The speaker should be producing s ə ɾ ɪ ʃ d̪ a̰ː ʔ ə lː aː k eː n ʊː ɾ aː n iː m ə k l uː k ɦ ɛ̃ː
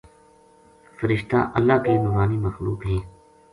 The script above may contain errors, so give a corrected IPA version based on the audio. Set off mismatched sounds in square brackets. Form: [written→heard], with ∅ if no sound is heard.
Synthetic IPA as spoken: [s→f] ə ɾ ɪ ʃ [d̪→t̪] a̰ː ʔ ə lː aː k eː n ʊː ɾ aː n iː m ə [k→x] l uː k ɦ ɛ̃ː